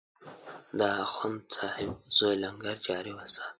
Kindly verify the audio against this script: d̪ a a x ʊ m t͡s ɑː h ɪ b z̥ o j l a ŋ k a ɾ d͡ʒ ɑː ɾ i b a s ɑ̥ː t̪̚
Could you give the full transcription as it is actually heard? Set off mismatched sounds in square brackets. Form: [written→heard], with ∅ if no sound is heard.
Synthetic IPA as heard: d̪ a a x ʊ [m→n] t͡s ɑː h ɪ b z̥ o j l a ŋ [k→ɡ] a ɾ d͡ʒ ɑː ɾ i [b→w] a s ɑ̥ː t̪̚